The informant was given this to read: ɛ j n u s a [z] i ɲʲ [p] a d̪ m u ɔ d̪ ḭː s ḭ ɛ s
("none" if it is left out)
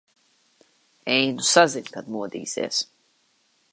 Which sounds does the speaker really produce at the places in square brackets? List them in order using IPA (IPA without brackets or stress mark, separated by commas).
z, k